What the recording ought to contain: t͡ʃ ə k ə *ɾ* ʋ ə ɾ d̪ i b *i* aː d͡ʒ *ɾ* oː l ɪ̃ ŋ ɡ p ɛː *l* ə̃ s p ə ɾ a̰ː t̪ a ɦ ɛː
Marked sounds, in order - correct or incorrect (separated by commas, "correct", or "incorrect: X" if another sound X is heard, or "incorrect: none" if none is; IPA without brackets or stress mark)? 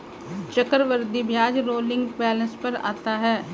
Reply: correct, incorrect: j, correct, correct